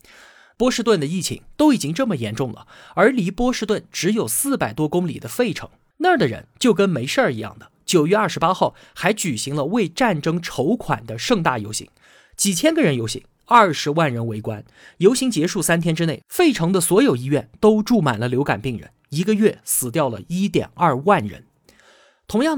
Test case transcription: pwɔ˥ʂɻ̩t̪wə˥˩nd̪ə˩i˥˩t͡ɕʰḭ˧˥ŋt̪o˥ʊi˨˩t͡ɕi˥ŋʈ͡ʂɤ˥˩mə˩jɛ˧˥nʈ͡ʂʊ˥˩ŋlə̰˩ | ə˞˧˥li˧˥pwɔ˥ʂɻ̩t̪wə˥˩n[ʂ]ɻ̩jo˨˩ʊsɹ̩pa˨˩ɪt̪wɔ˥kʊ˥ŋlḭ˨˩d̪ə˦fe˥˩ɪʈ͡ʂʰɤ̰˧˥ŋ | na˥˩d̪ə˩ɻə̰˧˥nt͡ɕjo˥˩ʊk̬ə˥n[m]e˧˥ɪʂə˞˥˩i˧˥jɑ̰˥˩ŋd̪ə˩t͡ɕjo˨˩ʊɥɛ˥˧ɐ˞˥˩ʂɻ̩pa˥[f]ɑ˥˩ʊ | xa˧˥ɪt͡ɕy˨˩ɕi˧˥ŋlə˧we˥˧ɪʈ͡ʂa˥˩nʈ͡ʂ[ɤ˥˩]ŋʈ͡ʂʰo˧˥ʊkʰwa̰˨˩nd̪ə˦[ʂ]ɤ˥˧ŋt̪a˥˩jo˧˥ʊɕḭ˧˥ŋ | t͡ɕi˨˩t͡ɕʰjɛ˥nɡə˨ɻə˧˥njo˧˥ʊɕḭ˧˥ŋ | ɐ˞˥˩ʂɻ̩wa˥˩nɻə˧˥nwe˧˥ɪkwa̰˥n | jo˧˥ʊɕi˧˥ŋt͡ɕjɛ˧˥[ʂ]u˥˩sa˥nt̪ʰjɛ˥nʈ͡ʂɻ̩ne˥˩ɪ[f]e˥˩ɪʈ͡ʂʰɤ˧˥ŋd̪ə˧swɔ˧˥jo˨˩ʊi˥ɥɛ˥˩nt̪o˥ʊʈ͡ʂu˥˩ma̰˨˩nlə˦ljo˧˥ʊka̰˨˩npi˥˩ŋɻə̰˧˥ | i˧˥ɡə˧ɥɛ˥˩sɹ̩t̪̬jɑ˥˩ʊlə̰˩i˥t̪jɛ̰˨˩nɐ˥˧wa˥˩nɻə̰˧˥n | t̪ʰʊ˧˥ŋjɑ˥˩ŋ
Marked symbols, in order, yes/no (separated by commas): no, yes, no, no, yes, yes, yes